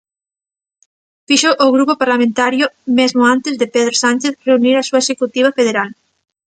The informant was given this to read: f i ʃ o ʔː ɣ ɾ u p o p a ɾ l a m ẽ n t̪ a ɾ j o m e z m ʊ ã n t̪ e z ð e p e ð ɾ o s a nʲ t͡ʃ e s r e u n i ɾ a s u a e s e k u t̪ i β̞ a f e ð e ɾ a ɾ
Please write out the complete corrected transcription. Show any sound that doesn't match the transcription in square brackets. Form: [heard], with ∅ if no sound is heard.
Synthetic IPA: f i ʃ o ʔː ɣ ɾ u p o p a ɾ l a m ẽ n t̪ a ɾ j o m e z m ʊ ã n t̪ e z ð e p e ð ɾ o s a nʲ t͡ʃ e [θ] r e u n i ɾ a s u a e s e k u t̪ i β̞ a f e ð e ɾ a [l]